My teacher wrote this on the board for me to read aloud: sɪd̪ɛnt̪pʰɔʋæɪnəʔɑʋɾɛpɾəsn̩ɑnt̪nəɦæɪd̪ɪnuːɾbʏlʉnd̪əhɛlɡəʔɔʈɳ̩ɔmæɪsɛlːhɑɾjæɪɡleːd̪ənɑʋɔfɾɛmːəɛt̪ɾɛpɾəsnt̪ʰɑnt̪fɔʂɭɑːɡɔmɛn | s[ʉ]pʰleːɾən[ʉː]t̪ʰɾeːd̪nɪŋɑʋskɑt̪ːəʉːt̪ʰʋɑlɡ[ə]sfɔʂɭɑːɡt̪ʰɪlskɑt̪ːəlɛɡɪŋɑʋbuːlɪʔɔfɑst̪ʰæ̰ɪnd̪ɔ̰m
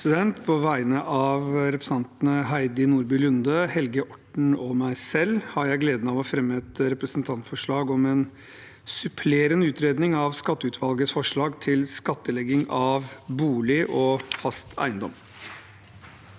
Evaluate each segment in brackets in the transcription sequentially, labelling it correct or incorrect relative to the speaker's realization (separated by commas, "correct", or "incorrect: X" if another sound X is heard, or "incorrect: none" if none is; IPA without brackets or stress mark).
correct, correct, correct